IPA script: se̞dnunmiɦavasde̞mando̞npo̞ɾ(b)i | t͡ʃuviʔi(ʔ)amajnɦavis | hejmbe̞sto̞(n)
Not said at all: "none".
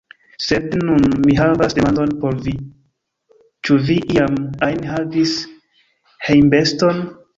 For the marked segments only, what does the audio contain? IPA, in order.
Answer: v, none, n

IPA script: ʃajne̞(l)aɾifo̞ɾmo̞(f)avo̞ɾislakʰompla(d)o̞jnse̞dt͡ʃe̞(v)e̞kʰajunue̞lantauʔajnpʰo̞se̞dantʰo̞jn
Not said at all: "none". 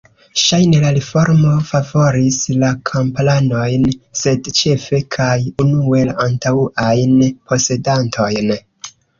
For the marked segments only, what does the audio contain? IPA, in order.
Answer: l, f, n, f

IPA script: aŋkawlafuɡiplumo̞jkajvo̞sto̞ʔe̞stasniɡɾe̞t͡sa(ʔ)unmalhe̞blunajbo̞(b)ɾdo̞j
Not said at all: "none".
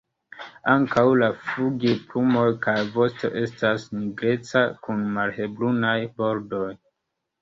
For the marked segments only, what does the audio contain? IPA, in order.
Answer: k, none

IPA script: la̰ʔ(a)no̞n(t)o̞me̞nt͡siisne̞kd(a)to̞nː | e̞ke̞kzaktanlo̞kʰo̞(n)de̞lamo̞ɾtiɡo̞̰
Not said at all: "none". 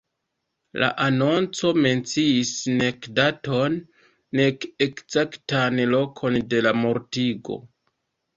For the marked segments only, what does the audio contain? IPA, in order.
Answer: a, t͡s, a, n

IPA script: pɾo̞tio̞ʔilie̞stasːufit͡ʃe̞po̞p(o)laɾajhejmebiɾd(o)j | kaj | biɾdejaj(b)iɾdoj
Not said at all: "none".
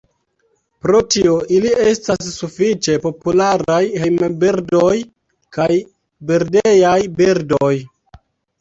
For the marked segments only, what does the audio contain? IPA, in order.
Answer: u, o, b

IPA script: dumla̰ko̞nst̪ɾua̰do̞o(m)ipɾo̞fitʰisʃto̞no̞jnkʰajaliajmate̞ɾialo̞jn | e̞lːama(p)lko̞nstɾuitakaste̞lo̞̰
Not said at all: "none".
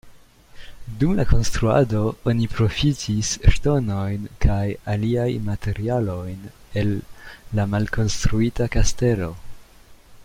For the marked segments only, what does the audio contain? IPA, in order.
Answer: n, none

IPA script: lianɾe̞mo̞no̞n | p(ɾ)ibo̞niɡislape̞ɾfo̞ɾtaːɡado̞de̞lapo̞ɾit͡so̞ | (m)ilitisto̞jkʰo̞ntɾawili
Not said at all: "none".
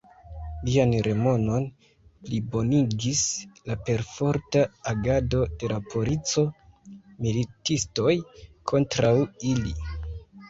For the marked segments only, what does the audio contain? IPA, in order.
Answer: l, m

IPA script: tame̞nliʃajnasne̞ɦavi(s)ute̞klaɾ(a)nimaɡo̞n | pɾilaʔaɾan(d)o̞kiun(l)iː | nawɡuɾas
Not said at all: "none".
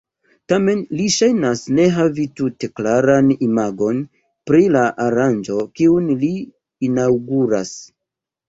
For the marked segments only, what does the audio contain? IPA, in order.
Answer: t, a, d͡ʒ, l

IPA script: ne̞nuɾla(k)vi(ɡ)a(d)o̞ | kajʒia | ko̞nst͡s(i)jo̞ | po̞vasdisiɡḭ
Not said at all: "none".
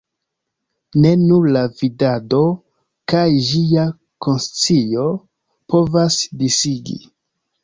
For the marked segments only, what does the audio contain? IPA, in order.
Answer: none, d, d, i

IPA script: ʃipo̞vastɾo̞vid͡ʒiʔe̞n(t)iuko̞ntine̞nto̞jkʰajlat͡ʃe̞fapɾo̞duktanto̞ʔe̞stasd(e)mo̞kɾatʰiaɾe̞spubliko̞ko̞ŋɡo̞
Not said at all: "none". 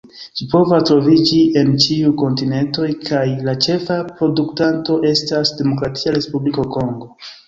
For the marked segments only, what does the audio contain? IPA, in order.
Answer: t͡ʃ, e

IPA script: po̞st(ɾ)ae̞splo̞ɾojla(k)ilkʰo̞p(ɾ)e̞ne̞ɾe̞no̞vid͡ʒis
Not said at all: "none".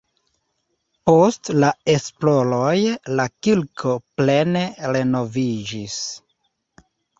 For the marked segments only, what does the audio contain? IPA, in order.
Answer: l, k, l

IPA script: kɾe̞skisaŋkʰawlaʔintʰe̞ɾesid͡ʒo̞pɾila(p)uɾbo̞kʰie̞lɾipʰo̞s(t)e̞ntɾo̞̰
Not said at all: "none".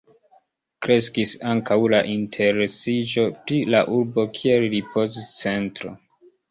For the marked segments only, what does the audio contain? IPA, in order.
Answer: ʔ, t͡s

